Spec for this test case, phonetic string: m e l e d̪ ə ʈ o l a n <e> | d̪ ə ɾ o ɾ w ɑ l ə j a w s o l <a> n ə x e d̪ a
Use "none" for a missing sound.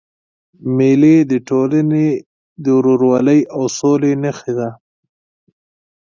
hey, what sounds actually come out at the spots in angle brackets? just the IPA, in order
e, e

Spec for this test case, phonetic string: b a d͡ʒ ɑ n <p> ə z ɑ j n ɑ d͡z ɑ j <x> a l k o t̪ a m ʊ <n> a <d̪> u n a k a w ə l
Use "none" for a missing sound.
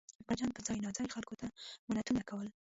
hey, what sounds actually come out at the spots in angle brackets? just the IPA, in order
p, x, n, t̪

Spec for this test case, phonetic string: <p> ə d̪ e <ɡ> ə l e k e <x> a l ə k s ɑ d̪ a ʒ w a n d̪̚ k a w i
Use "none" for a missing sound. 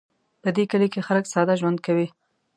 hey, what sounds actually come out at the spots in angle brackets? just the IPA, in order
p, k, x

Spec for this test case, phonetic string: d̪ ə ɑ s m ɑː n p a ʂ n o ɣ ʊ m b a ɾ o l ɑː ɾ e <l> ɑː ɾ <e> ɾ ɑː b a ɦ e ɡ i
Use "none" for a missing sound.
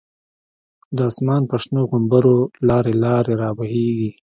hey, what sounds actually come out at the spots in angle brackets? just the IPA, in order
l, e

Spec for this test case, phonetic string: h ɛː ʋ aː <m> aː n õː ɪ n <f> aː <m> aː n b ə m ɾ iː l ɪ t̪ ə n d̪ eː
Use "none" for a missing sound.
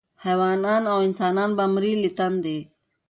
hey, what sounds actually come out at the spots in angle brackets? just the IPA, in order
n, s, n

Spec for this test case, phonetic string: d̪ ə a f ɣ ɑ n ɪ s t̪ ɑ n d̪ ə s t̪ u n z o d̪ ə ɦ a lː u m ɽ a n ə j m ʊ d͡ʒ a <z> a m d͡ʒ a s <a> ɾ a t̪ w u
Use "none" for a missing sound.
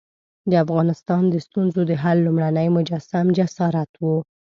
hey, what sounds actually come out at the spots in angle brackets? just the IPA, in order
s, ɑ

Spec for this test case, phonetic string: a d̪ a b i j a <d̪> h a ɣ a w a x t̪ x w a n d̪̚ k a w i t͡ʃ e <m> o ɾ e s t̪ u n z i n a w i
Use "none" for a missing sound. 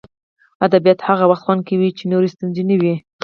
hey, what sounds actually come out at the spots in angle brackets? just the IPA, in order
t̪, n

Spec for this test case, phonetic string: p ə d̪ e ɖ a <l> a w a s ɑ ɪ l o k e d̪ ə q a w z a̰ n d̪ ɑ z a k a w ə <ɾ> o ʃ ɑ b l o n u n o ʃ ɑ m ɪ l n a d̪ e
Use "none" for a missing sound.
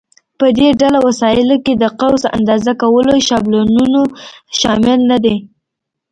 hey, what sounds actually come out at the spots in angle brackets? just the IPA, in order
l, l

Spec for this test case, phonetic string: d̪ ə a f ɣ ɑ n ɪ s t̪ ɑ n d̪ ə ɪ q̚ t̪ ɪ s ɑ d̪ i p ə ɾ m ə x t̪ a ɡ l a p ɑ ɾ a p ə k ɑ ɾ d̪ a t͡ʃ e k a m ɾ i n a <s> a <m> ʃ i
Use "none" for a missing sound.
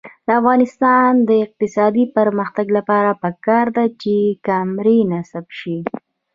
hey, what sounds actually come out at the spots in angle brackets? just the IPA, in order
s, b

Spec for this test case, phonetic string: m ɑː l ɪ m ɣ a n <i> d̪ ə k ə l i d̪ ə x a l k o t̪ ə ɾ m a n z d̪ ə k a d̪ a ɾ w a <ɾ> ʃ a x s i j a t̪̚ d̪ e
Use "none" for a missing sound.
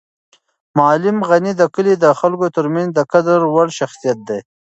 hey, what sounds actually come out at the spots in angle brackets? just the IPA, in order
i, ɽ

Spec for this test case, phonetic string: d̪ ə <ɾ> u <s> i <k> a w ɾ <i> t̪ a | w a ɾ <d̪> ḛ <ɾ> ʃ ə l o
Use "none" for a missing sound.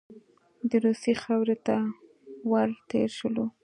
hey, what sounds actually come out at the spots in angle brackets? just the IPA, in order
ɾ, s, x, e, t̪, ɾ

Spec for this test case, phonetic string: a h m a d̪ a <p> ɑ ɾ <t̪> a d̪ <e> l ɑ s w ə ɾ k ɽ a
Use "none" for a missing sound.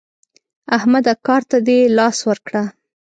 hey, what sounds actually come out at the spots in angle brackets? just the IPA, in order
k, t̪, e

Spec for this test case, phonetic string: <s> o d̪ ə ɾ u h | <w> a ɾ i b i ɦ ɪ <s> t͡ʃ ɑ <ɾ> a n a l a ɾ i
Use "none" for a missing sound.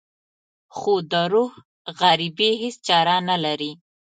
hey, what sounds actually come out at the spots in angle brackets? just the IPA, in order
x, ɣ, s, ɾ

